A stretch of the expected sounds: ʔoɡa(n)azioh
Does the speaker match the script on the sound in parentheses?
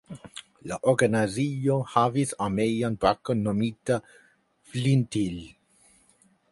yes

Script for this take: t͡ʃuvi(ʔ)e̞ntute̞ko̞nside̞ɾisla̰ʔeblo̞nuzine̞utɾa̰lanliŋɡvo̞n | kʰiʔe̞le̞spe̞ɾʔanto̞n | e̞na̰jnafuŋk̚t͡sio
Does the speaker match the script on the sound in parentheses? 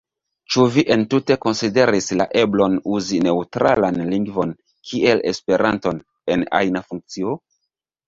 yes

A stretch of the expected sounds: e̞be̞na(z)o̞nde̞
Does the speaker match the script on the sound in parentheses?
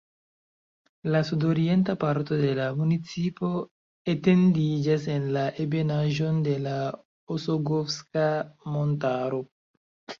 no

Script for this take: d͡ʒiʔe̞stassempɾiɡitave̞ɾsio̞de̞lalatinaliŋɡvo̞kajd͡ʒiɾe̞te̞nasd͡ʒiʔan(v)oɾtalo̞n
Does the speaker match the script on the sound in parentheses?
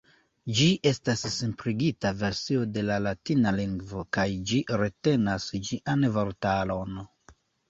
yes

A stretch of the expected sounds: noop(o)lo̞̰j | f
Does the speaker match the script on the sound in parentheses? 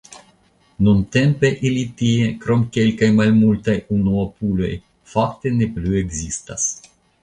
no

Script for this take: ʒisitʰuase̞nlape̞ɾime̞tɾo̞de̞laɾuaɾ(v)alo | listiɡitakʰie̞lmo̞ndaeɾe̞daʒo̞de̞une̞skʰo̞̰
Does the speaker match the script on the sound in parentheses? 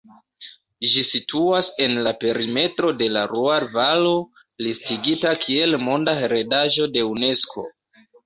yes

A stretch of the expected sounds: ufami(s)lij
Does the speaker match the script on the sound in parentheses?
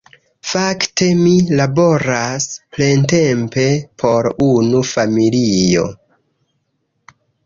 no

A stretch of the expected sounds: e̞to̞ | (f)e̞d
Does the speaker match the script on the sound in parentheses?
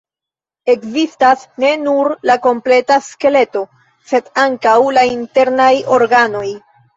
no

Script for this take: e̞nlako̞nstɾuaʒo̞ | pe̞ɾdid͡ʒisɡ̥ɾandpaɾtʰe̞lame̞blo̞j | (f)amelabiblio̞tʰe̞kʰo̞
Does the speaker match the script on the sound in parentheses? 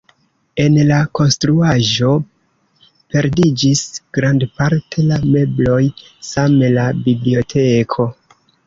no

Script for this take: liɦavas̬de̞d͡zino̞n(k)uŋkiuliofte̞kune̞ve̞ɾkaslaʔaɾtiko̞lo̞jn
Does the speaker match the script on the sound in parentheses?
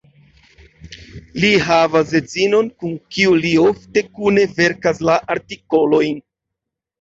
yes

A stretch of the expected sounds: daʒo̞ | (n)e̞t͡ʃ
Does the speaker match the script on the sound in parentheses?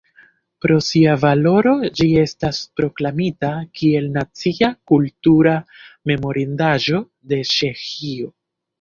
no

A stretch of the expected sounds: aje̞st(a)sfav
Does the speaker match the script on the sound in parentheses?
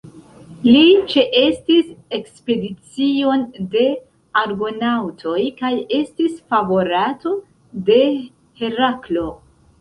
no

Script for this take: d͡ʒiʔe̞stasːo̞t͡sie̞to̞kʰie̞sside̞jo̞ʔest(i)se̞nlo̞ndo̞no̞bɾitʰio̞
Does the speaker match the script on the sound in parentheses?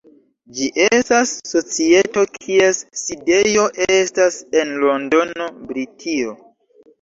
no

